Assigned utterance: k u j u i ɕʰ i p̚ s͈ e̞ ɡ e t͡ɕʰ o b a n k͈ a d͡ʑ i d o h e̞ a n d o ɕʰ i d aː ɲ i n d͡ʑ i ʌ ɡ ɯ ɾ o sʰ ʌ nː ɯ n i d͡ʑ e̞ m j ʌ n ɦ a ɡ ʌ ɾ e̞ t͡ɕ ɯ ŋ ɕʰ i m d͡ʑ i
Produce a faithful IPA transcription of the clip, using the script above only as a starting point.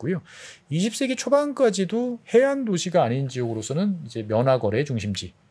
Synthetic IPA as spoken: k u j o i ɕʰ i p̚ s͈ e̞ ɡ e t͡ɕʰ o b a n k͈ a d͡ʑ i d o h e̞ a n d o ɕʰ i ɡ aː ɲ i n d͡ʑ i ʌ ɡ ɯ ɾ o sʰ ʌ n ɯ n i d͡ʑ e̞ m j ʌ n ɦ a ɡ ʌ ɾ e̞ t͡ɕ u ŋ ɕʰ i m d͡ʑ i